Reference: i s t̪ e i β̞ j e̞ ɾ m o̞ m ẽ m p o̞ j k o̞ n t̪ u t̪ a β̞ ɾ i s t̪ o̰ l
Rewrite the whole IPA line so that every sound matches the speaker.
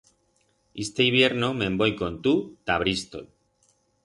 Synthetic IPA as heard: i s t̪ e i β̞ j e̞ ɾ n o̞ m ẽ m b o̞ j k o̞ n t̪ u t̪ a β̞ ɾ i s t̪ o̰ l